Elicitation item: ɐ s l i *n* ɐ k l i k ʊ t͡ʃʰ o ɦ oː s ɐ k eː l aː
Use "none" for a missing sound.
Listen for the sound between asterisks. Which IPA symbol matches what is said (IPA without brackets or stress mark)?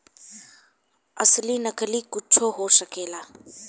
n